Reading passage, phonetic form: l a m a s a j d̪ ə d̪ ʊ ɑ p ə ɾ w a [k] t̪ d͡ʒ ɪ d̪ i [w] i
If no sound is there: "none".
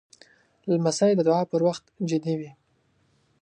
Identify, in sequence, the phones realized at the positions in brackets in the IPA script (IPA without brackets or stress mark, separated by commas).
x, w